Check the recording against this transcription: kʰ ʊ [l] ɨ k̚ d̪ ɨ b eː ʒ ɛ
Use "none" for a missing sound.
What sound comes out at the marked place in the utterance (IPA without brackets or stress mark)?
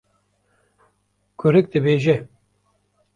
ɾ